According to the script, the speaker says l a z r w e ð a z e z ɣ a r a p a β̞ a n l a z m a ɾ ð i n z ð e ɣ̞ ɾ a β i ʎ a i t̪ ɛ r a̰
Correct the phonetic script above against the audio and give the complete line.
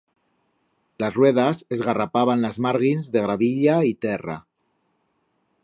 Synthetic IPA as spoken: l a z r w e ð a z e z ɣ a r a p a β̞ a n l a z m a ɾ ɣ i n z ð e ɣ̞ ɾ a β i ʎ a i t̪ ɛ r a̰